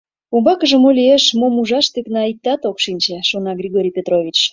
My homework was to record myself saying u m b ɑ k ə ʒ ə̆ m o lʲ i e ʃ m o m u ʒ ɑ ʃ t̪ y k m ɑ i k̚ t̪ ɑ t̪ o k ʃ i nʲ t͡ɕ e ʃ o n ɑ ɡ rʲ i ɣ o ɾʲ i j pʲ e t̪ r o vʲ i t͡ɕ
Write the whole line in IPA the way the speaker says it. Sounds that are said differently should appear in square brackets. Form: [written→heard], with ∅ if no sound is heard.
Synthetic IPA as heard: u m b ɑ k ə ʒ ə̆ m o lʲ i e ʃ m o m u ʒ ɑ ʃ t̪ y k [m→n] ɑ i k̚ t̪ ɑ t̪ o k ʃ i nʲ t͡ɕ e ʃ o n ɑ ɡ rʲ i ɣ o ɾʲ i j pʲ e t̪ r o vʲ i t͡ɕ